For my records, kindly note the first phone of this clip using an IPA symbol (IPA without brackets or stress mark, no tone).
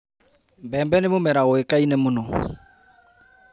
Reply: b